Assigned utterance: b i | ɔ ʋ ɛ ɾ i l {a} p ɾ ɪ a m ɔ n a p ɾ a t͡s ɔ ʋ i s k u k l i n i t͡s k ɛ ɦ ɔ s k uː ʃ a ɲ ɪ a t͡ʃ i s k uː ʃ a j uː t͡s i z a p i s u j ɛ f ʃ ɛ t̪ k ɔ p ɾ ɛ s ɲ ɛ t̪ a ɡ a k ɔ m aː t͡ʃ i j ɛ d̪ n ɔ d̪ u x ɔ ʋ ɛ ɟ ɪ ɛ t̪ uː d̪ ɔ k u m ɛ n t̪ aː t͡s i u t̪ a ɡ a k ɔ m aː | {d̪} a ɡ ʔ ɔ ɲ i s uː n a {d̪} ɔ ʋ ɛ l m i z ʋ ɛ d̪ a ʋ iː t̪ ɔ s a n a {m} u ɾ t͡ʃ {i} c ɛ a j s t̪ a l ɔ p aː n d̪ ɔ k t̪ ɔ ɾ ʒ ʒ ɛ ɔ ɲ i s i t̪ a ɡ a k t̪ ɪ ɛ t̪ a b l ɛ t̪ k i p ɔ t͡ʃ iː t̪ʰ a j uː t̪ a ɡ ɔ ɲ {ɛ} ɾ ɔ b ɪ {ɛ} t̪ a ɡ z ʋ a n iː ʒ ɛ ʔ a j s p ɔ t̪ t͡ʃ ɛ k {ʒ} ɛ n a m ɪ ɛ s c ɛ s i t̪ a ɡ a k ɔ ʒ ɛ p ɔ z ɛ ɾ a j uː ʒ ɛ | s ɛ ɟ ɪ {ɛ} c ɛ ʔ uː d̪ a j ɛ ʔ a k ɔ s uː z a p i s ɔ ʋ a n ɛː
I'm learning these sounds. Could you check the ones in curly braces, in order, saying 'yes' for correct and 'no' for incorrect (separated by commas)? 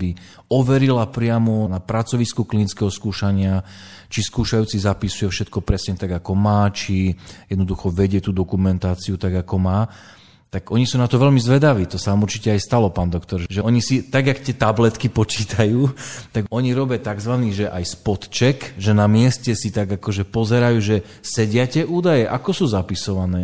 yes, no, no, yes, yes, no, no, yes, no